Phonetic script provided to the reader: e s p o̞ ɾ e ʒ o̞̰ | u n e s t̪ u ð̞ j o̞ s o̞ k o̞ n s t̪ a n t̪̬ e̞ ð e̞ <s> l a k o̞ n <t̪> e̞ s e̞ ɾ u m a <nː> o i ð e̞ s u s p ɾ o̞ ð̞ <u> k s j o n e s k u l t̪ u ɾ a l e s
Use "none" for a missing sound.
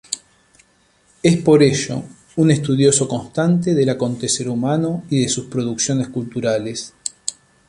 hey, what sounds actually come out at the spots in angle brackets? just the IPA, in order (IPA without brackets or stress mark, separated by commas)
none, t̪, n, u